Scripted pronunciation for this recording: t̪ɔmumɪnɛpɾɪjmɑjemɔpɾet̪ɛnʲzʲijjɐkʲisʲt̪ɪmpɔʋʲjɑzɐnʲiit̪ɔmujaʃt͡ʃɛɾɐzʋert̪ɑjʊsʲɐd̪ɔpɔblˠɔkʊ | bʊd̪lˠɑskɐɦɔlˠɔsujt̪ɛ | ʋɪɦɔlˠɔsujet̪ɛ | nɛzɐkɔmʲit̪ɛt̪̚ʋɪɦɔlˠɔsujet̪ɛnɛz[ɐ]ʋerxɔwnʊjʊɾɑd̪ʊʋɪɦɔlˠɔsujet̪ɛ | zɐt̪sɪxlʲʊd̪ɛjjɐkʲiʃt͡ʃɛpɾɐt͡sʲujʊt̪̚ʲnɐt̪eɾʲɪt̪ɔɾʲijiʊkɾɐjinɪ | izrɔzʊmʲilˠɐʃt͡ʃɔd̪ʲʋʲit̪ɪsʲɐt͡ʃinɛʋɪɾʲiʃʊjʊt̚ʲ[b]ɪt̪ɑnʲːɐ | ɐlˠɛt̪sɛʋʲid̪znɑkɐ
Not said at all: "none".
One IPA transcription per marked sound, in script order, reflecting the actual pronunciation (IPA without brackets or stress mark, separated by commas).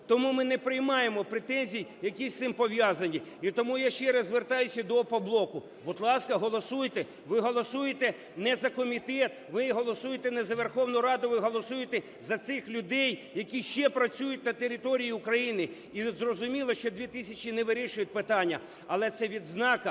ɐ, p